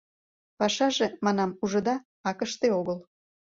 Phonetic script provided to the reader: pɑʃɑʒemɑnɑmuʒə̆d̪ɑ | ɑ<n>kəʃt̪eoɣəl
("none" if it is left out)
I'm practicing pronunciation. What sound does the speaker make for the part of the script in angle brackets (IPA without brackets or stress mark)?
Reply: none